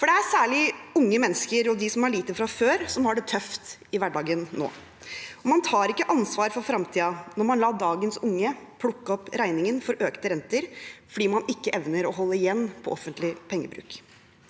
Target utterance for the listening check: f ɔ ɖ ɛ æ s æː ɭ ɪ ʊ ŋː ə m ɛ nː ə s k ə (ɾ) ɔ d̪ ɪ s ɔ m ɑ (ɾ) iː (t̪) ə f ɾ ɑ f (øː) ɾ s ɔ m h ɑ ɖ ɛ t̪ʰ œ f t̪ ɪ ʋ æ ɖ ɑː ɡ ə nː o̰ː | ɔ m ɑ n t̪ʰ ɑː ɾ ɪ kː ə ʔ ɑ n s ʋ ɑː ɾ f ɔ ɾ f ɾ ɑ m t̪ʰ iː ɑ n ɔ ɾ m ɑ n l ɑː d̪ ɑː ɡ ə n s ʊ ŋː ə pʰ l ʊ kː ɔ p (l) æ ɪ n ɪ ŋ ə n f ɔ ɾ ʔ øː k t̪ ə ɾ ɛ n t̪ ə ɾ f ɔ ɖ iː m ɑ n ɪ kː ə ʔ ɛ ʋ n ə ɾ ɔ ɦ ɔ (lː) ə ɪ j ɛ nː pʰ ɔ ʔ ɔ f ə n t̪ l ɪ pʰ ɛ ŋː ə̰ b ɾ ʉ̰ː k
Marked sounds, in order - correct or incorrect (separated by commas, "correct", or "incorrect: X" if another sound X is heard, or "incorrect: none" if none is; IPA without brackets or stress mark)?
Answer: correct, incorrect: ɭ, correct, correct, incorrect: ɾ, correct